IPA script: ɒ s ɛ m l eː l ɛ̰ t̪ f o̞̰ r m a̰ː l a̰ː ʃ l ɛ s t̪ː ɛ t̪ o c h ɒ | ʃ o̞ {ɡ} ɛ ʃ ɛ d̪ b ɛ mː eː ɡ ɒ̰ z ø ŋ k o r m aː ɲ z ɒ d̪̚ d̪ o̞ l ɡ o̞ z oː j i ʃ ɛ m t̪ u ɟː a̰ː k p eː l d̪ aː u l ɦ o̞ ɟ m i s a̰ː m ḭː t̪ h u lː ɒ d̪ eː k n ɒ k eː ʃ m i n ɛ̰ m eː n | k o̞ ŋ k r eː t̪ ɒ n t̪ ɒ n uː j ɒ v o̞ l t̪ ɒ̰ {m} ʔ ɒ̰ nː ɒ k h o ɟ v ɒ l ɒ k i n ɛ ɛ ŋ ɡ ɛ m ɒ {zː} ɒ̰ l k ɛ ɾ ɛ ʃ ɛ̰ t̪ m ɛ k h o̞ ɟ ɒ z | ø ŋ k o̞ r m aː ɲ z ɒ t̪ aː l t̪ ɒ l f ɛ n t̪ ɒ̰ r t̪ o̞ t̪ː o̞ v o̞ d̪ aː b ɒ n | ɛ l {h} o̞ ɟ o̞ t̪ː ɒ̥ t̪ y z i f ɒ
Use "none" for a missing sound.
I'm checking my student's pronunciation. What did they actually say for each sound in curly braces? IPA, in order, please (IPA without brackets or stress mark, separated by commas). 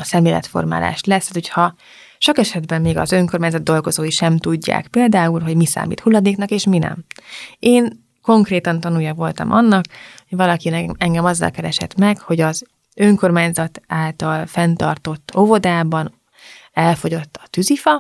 k, m, zː, f